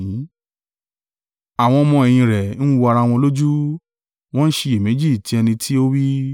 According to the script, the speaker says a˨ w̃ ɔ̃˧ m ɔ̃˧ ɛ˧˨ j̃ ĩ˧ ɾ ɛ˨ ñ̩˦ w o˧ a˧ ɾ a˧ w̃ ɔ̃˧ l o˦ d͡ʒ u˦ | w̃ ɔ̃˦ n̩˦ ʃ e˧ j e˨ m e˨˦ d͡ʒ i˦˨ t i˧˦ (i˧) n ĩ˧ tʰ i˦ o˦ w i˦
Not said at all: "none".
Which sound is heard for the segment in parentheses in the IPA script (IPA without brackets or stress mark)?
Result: ɛ˧